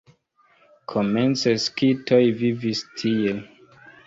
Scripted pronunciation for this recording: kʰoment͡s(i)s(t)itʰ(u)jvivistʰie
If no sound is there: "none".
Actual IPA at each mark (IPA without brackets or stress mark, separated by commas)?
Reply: e, k, o